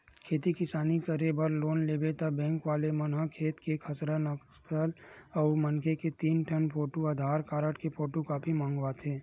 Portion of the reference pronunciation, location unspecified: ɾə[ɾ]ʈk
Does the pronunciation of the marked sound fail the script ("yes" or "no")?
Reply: yes